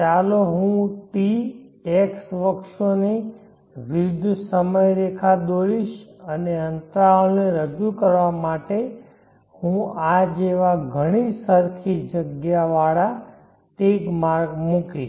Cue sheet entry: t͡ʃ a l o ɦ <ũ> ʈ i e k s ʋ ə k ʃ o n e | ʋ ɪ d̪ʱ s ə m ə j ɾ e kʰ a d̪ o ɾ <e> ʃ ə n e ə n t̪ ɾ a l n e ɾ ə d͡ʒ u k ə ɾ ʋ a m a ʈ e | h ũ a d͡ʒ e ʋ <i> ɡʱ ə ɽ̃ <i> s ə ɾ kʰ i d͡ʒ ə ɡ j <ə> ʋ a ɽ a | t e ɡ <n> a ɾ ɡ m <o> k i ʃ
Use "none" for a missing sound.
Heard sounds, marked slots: ũ, i, a, i, a, m, u

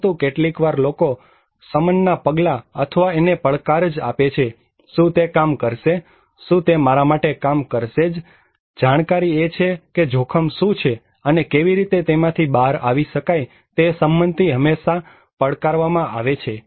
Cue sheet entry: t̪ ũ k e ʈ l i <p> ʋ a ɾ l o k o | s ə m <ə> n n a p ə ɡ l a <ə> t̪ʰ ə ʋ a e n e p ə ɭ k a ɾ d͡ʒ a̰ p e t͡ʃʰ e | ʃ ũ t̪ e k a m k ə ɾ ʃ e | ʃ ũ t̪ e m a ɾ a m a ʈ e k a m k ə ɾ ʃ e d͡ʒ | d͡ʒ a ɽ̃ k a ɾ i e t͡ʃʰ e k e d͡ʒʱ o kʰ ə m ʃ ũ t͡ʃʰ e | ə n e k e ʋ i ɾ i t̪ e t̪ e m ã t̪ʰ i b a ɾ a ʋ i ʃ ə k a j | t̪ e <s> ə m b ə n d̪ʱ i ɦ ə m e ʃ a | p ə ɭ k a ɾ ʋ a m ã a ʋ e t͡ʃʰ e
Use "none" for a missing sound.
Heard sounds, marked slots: k, ə, ə, s

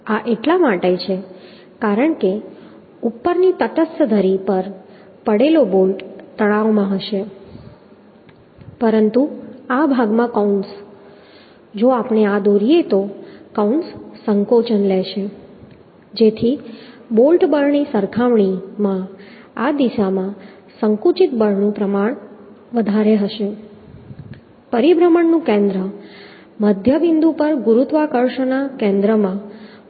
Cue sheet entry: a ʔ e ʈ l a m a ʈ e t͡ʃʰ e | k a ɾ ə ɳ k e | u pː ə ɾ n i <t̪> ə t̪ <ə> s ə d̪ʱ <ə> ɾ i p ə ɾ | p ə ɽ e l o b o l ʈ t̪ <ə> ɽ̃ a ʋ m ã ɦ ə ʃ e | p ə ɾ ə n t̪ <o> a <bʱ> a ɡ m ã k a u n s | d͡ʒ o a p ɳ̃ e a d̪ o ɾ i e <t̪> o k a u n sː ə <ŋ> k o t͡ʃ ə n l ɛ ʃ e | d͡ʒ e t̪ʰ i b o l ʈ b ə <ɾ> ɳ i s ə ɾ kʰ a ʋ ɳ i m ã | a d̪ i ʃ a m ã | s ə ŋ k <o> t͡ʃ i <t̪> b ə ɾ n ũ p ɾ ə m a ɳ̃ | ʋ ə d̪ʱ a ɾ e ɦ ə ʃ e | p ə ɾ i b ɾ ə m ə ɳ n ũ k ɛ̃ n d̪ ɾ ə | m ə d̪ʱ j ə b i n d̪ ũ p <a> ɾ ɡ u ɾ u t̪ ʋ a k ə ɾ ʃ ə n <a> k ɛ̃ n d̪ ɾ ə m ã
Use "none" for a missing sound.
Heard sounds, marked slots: t̪, ə, ə, ə, u, bʱ, t̪, ŋ, ɾ, u, t̪, ə, a

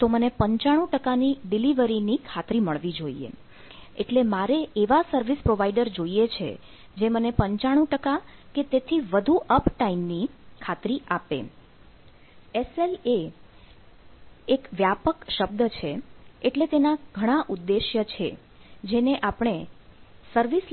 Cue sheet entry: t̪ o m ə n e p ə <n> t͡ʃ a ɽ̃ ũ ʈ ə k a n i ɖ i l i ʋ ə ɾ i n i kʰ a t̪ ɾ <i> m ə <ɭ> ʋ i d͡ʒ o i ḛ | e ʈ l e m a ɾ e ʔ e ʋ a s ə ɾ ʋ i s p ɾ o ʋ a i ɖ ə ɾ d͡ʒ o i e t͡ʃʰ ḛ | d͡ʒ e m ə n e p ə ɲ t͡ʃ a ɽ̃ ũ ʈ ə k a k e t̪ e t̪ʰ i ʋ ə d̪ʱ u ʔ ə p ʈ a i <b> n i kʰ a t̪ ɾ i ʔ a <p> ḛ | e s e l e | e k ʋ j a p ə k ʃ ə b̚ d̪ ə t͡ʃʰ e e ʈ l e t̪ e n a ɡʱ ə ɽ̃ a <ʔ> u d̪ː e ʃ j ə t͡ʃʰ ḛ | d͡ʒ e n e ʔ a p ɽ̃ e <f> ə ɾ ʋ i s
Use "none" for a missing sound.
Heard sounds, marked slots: ɲ, i, ɭ, m, p, ʔ, s

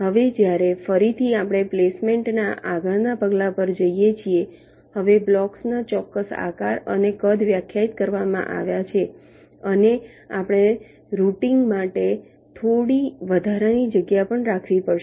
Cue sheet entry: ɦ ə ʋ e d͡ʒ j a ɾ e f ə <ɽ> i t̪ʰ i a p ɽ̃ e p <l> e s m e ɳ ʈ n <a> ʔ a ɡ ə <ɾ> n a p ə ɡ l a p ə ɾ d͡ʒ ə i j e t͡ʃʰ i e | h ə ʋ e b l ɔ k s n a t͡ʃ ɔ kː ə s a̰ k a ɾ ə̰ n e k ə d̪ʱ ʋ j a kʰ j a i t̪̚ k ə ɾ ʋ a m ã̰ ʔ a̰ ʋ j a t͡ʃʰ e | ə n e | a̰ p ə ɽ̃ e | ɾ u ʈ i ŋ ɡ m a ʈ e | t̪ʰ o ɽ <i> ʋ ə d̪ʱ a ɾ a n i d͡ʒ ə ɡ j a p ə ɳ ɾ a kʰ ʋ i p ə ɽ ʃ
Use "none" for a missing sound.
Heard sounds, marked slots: ɾ, l, a, ɭ, i

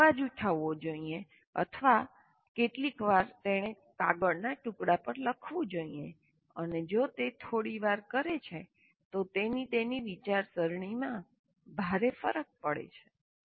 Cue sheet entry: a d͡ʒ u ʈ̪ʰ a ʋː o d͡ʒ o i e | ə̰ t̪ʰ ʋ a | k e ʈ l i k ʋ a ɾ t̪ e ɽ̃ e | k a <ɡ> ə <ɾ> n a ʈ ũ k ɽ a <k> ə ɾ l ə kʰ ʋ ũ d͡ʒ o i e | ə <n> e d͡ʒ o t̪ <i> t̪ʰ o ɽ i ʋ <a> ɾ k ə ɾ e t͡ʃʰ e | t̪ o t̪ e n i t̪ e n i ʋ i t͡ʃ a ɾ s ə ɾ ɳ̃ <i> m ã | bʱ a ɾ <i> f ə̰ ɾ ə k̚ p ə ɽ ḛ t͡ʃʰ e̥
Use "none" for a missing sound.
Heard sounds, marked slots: ɡ, ɽ, p, n, e, a, i, e

